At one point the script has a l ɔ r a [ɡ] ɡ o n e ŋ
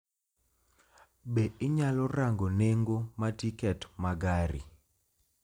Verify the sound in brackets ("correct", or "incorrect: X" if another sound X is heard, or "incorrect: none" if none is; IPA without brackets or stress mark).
incorrect: ŋ